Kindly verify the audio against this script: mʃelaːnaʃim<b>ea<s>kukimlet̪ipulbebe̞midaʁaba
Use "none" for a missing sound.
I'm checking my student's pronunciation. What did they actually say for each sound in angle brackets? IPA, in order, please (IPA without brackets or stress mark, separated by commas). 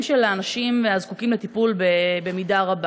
v, z